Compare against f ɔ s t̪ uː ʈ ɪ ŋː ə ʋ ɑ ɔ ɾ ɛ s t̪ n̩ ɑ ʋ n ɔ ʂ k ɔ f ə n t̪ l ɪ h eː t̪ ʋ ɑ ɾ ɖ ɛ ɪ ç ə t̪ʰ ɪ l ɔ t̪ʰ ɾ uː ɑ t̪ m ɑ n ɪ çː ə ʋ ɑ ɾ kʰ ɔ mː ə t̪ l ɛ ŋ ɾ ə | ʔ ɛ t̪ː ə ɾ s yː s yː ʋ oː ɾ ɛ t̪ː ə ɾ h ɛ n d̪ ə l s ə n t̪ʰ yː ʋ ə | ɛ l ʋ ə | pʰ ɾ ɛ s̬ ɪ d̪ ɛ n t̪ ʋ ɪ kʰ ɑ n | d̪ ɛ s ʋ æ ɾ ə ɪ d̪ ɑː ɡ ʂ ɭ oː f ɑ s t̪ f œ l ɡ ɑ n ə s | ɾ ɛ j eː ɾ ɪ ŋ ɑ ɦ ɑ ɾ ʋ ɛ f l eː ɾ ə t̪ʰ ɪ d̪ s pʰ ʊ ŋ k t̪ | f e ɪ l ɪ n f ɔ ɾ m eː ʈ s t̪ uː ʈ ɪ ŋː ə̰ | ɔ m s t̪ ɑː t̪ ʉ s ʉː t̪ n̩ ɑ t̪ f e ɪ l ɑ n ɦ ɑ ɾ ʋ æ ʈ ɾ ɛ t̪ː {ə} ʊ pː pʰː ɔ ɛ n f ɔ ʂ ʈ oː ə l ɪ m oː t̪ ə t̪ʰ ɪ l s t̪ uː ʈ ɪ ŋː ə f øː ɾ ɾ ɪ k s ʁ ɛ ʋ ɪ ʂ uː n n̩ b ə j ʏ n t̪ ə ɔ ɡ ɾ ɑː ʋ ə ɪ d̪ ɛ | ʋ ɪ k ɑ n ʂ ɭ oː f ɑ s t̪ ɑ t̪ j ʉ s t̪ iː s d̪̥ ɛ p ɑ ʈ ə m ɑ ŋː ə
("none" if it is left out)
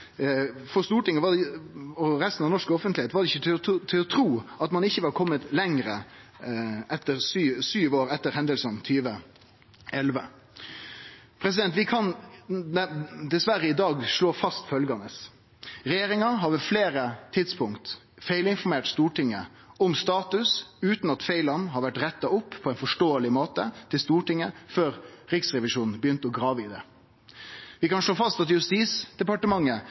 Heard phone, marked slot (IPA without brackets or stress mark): ɑ